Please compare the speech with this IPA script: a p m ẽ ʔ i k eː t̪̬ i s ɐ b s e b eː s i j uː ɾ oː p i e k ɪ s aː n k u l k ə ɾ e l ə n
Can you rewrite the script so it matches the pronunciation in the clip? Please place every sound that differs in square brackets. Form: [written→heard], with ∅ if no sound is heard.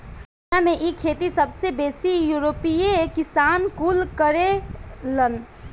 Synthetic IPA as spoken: a [p→∅] m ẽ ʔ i [k→kʰ] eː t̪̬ i s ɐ b s e b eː s i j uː ɾ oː p i e k ɪ s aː n k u l k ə ɾ e l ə n